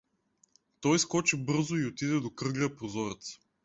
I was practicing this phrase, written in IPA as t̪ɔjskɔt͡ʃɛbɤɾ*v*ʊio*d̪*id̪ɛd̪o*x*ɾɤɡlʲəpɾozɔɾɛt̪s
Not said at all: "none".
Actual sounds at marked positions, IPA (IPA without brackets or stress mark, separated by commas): z, t̪, k